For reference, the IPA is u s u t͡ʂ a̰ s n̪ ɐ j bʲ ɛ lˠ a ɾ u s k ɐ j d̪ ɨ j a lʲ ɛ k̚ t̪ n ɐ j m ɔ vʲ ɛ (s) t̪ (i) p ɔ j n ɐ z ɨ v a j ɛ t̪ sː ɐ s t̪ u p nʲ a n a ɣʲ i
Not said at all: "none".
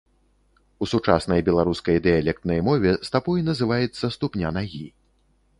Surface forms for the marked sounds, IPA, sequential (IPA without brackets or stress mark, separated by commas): s, a